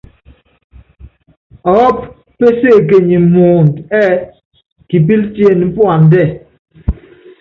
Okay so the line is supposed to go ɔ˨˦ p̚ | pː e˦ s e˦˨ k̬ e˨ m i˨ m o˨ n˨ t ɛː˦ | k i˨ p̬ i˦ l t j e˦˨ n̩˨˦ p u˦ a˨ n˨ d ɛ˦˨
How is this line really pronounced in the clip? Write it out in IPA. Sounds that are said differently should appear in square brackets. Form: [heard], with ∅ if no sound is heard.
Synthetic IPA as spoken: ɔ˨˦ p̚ | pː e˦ s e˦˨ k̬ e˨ [ɲ] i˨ m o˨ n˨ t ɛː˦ | k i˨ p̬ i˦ l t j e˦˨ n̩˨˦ p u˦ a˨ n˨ d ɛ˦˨